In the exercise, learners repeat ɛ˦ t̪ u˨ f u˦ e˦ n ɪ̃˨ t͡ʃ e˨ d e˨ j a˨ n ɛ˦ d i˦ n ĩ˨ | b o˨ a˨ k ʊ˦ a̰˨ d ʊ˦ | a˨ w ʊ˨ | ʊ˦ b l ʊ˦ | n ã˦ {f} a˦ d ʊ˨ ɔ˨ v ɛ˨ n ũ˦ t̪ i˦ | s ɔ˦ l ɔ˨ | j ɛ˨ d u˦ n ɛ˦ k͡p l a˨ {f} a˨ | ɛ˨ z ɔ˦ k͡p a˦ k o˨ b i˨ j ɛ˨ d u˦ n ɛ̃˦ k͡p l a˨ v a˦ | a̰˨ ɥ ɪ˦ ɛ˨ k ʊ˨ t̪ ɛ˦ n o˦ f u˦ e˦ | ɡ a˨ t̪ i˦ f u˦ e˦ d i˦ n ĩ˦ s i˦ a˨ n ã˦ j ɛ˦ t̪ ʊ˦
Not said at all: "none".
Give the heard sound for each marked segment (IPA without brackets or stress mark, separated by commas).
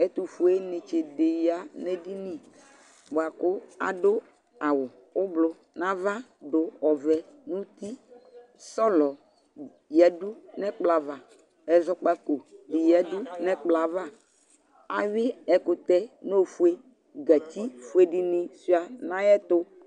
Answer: v, v